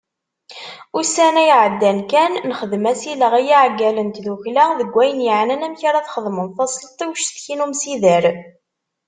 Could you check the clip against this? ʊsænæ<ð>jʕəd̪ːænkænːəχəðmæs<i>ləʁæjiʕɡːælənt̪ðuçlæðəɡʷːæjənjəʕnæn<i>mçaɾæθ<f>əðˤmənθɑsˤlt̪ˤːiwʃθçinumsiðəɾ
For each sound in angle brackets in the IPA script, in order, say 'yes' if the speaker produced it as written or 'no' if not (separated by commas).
no, yes, no, no